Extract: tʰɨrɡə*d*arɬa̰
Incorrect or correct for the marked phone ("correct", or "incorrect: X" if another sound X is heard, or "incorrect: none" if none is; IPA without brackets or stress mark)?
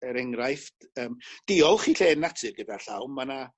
correct